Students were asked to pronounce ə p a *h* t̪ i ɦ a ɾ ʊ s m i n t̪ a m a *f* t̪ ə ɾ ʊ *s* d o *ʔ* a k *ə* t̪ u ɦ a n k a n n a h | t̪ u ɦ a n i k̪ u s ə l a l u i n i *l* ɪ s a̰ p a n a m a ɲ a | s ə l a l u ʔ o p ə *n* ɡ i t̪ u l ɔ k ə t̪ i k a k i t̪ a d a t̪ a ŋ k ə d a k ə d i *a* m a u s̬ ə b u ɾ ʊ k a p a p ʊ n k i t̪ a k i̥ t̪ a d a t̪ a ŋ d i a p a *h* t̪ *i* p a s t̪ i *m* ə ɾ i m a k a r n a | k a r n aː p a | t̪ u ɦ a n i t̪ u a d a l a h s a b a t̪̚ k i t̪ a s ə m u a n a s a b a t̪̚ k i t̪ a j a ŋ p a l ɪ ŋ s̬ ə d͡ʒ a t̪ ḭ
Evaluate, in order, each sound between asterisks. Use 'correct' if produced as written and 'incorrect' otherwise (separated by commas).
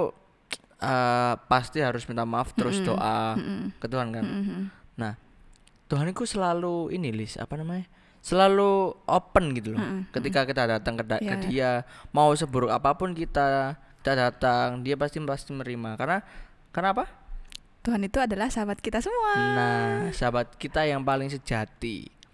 incorrect, correct, correct, correct, correct, correct, correct, correct, incorrect, correct, correct